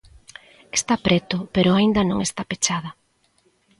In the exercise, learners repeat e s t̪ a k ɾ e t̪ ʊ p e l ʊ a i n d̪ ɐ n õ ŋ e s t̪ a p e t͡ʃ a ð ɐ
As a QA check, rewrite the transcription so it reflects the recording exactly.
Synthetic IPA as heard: e s t̪ a p ɾ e t̪ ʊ p e ɾ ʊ a i n d̪ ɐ n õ ŋ e s t̪ a p e t͡ʃ a ð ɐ